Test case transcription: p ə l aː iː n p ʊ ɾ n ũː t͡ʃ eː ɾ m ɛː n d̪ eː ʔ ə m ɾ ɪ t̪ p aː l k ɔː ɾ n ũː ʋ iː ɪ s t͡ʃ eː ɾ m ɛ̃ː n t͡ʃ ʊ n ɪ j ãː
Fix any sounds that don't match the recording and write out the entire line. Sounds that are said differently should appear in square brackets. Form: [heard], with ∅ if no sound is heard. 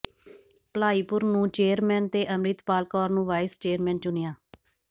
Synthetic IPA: p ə l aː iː [∅] p ʊ ɾ n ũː t͡ʃ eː ɾ m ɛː n [t̪] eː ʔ ə m ɾ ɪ t̪ p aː l k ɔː ɾ n ũː ʋ [aː] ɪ s t͡ʃ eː ɾ m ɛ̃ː n t͡ʃ ʊ n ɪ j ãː